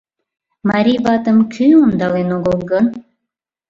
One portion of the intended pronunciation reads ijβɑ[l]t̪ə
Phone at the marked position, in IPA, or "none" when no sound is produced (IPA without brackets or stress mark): none